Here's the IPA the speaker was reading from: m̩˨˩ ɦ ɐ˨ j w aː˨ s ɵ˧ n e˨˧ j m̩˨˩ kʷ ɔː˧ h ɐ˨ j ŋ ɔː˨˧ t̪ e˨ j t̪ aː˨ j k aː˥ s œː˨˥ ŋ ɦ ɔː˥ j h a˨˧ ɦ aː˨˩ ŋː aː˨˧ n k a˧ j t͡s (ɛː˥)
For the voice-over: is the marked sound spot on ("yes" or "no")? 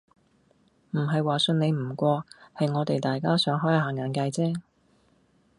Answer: yes